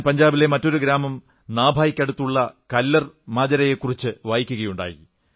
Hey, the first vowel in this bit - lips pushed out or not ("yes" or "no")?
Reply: no